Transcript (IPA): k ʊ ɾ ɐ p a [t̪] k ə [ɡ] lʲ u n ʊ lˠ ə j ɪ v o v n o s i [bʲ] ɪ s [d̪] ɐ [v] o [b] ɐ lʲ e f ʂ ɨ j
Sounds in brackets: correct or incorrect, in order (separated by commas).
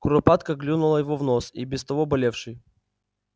correct, correct, correct, incorrect, correct, correct